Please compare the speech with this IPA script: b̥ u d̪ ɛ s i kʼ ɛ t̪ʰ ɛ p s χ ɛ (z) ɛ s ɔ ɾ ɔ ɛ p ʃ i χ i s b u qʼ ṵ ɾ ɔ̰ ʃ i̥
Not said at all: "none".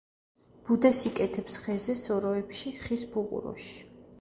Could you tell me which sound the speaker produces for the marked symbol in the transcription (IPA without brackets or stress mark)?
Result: z